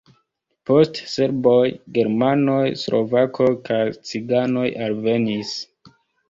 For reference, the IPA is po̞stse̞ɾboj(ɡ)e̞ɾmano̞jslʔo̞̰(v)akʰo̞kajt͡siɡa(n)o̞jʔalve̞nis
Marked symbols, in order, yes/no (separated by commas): yes, yes, yes